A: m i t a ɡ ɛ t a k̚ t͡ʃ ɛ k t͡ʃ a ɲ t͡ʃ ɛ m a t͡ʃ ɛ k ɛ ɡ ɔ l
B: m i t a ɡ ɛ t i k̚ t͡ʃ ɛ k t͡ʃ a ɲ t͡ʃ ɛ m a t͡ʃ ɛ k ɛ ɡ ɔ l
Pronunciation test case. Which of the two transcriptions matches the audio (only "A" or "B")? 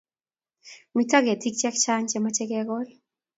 B